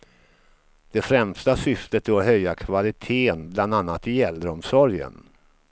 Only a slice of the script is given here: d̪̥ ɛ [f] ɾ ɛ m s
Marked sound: correct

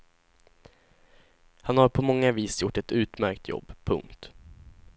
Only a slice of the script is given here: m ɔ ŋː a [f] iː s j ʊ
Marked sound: incorrect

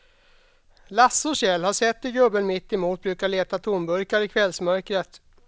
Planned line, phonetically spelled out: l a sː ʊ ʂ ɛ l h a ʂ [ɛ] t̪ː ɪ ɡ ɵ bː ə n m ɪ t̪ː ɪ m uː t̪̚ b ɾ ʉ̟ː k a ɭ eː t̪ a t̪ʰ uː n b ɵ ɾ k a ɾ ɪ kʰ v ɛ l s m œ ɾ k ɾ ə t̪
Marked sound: correct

